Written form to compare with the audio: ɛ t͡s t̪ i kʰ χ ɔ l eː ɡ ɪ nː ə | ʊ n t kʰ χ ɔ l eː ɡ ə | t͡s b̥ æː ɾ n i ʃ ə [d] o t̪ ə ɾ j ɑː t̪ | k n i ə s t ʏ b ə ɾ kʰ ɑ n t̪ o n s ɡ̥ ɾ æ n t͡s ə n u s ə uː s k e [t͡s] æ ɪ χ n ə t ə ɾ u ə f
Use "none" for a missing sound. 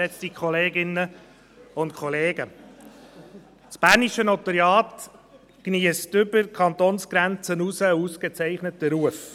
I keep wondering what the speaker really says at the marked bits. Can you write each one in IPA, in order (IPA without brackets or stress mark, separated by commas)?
n, t͡s